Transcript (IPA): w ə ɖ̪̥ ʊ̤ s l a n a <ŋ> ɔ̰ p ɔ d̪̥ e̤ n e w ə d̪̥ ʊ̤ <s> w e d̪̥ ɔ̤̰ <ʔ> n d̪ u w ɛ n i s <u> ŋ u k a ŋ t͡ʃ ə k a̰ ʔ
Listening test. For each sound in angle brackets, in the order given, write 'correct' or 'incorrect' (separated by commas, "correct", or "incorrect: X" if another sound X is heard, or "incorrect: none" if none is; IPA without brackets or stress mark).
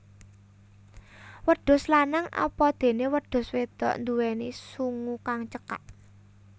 correct, correct, correct, correct